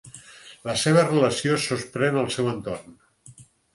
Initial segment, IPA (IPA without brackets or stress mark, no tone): l